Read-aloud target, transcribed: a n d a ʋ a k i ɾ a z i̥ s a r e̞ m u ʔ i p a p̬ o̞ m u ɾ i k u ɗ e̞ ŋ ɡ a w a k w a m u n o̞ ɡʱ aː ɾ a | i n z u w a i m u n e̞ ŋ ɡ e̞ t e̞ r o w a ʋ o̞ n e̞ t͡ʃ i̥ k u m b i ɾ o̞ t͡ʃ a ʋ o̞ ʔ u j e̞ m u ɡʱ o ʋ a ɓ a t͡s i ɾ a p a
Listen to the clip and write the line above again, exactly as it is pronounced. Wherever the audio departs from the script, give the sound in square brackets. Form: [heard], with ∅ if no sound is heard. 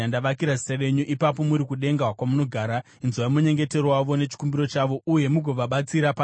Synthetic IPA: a n d a ʋ a k i ɾ a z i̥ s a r e̞ [ɲ] u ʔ i p a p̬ o̞ m u ɾ i k u ɗ e̞ ŋ ɡ a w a k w a m u n o̞ ɡʱ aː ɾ a | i n z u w a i m u [ɲ] e̞ ŋ ɡ e̞ t e̞ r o w a ʋ o̞ n e̞ t͡ʃ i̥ k u m b i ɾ o̞ t͡ʃ a ʋ o̞ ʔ u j e̞ m u ɡʱ o ʋ a ɓ a t͡s i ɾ a p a